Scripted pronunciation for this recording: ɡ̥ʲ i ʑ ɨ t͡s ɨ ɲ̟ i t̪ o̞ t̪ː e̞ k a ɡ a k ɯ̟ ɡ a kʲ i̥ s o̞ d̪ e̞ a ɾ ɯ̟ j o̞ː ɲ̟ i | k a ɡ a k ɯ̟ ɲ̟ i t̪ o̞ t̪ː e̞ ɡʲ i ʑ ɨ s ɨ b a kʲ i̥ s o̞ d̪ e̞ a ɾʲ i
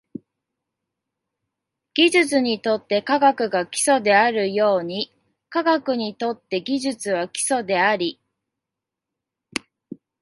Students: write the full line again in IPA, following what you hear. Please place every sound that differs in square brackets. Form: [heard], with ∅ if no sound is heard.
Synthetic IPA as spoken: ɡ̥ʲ i ʑ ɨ t͡s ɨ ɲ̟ i t̪ o̞ t̪ː e̞ k a ɡ a k ɯ̟ ɡ a kʲ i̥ s o̞ d̪ e̞ a ɾ ɯ̟ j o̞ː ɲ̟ i | k a ɡ a k ɯ̟ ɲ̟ i t̪ o̞ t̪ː e̞ ɡʲ i ʑ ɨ [t͡s] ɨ [β] a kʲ i̥ s o̞ d̪ e̞ a ɾʲ i